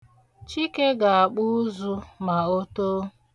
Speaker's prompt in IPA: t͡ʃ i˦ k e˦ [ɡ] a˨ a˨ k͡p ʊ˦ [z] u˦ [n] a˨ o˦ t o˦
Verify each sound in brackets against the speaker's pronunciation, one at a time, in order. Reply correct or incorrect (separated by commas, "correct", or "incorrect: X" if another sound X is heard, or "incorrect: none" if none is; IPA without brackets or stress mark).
correct, correct, incorrect: m